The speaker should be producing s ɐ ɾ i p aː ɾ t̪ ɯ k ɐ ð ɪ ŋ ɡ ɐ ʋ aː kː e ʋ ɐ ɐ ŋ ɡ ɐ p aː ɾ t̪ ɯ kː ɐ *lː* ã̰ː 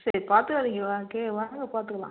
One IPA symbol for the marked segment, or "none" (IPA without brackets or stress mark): l